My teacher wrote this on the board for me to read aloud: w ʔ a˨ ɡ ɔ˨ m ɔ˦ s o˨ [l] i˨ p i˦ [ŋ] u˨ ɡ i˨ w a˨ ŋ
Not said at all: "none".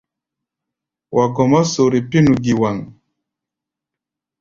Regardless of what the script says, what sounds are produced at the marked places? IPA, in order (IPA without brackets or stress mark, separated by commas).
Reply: ɾ, n